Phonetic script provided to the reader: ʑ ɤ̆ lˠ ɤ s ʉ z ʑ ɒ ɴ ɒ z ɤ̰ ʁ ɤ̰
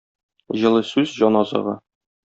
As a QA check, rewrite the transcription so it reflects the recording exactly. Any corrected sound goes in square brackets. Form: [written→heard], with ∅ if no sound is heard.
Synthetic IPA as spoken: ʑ ɤ̆ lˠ ɤ s ʉ z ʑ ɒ [ɴ→n] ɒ z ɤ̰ ʁ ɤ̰